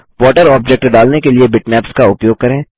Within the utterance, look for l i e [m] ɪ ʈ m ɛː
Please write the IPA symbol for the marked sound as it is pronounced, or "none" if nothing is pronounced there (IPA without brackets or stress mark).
b